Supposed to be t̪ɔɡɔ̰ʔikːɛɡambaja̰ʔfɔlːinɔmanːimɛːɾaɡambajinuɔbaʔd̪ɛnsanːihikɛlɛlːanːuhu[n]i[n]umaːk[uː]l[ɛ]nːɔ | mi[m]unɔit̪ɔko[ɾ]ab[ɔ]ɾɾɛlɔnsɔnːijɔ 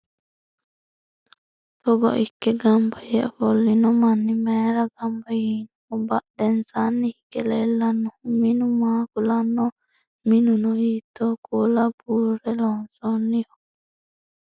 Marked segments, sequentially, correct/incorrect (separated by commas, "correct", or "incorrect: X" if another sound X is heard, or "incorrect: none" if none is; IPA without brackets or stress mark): incorrect: m, correct, incorrect: u, incorrect: a, incorrect: n, incorrect: l, incorrect: u